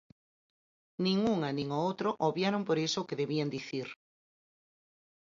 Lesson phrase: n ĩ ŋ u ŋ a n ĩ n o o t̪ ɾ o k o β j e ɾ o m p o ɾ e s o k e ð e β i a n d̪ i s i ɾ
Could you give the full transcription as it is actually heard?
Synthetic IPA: n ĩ ŋ u ŋ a n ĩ ŋ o o t̪ ɾ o ʔ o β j a ɾ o m p o ɾ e s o k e ð e β i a n d̪ i θ i ɾ